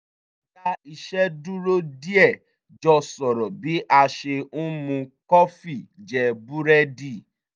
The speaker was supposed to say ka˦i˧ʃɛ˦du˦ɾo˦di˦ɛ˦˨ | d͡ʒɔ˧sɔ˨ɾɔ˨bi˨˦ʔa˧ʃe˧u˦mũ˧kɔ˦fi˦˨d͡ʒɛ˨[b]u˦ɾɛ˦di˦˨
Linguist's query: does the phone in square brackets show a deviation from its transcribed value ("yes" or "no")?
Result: no